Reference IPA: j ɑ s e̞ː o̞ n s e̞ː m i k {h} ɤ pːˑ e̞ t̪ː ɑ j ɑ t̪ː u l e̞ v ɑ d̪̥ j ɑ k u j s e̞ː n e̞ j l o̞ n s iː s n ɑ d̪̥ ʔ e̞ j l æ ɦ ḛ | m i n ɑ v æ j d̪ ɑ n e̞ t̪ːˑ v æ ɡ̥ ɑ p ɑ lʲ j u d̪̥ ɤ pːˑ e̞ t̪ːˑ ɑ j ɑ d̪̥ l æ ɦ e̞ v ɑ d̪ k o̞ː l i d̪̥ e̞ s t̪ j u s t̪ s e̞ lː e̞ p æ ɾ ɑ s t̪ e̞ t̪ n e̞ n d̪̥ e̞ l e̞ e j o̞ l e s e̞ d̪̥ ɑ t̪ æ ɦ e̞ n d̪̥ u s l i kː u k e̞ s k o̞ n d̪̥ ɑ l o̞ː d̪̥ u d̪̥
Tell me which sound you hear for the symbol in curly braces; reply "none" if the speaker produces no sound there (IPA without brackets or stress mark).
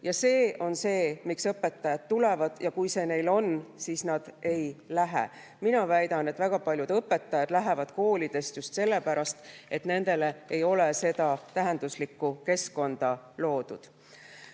s